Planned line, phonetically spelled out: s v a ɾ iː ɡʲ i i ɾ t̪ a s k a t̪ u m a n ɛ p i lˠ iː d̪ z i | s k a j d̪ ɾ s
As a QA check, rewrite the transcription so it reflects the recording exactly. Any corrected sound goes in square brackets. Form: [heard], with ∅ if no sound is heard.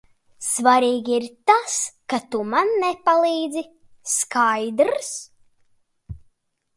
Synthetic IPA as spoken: s v a ɾ iː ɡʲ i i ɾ t̪ a s k a t̪ u m a [nː] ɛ p [a] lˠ iː d̪ z i | s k a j d̪ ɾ s